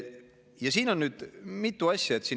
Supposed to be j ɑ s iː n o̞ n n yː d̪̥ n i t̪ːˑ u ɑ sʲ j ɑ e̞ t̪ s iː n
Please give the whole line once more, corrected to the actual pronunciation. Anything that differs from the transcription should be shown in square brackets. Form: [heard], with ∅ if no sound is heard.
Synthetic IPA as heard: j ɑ s iː n o̞ n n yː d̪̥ [m] i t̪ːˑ u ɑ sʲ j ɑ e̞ t̪ s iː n